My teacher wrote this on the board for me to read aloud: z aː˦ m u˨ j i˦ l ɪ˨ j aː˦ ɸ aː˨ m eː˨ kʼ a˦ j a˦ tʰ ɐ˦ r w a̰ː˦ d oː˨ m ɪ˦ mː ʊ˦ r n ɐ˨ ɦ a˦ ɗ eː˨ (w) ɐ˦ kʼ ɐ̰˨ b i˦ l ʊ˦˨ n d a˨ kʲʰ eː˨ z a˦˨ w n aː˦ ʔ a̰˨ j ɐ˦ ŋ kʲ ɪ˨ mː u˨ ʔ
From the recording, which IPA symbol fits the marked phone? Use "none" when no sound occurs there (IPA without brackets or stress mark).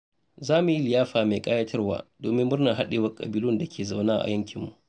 w